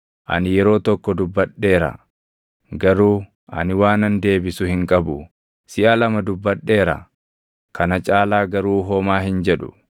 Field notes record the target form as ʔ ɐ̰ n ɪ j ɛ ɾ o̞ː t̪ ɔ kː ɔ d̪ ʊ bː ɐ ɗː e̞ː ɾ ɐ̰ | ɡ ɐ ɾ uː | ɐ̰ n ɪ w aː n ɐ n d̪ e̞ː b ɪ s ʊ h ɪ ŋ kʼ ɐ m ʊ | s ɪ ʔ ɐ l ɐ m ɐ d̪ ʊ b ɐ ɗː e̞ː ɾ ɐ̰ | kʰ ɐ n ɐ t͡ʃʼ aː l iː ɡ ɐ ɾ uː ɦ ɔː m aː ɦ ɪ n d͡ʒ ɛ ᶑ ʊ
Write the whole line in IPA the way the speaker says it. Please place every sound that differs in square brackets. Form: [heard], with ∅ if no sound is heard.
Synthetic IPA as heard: ʔ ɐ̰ n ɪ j ɛ ɾ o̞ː t̪ ɔ kː ɔ d̪ ʊ bː ɐ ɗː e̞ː ɾ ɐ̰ | ɡ ɐ ɾ uː | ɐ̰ n ɪ w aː n ɐ n d̪ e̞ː b ɪ s ʊ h ɪ ŋ kʼ ɐ [b] ʊ | s ɪ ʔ ɐ l ɐ m ɐ d̪ ʊ [bː] ɐ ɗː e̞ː ɾ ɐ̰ | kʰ ɐ n ɐ t͡ʃʼ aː l [aː] ɡ ɐ ɾ uː ɦ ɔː m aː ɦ ɪ n d͡ʒ ɛ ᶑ ʊ